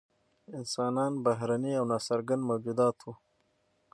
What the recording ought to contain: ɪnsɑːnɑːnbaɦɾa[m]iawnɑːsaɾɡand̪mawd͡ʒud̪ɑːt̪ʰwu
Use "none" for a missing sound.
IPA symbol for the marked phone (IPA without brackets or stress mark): n